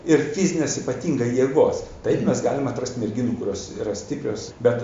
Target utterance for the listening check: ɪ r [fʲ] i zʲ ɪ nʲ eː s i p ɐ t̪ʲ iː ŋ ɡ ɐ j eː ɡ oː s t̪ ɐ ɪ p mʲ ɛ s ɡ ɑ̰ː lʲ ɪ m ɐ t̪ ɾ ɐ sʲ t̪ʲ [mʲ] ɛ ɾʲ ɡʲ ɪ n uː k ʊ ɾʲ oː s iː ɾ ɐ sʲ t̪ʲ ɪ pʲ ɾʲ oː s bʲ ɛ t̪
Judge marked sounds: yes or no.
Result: yes, yes

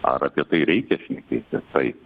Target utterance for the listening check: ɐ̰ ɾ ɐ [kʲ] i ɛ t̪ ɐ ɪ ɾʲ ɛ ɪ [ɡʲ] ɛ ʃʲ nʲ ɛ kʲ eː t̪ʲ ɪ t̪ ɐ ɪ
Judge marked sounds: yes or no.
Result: no, no

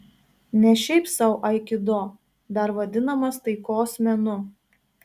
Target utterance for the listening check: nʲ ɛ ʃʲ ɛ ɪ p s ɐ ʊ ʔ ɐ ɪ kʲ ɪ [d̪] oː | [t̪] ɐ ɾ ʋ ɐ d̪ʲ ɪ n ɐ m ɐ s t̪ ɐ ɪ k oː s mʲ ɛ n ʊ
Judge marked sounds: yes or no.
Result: yes, no

